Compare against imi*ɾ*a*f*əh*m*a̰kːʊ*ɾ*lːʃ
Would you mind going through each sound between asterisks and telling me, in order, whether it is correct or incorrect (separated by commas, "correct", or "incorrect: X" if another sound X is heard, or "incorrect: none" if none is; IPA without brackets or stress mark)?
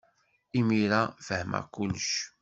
correct, correct, correct, incorrect: none